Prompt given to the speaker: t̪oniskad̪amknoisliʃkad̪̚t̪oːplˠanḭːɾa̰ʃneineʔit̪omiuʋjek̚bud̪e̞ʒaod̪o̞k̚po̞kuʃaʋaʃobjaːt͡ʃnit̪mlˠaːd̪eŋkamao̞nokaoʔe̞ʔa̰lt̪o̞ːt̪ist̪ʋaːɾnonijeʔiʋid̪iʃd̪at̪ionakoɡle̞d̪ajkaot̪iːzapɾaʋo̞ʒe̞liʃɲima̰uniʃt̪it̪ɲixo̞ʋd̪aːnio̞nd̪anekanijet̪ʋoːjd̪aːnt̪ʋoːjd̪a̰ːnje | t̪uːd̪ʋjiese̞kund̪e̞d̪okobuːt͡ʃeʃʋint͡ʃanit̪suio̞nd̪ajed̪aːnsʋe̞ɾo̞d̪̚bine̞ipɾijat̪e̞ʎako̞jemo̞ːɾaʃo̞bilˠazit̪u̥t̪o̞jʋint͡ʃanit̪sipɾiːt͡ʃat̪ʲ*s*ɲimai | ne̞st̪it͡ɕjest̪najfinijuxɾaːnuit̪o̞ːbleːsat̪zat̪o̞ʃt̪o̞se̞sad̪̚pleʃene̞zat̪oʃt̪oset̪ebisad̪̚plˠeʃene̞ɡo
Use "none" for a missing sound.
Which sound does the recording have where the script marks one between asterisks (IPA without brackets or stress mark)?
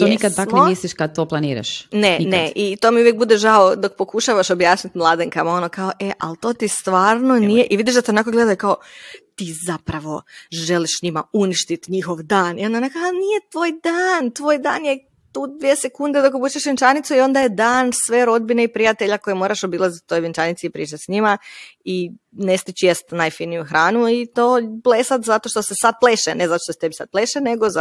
s